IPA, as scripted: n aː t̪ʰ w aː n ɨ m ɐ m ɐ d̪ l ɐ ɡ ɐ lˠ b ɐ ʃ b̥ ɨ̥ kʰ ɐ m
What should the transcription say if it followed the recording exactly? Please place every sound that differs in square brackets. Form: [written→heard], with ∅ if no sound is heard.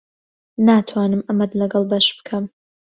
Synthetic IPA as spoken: n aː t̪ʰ w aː n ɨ m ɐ m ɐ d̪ l ɐ ɡ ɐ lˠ b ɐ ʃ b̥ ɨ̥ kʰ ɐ m